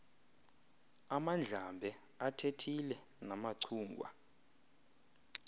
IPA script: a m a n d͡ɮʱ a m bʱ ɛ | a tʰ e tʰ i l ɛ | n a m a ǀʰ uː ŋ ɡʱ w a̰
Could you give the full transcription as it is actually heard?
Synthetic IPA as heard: a m a n d͡ɮʱ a m bʱ ɛ | a tʰ e tʰ i l ɛ | n a m a ǀʰ uː ŋ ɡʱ w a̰